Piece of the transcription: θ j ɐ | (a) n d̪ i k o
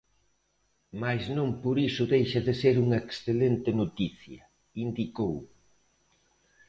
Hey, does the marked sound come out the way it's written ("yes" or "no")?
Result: no